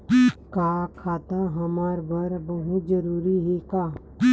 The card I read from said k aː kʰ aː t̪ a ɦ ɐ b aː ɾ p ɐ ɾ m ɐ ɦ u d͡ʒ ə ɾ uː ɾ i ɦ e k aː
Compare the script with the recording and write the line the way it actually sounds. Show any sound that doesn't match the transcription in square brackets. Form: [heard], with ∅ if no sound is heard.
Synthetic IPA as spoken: k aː kʰ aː t̪ a ɦ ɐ [m] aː ɾ [b] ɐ ɾ [b] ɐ ɦ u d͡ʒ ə ɾ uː ɾ i ɦ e k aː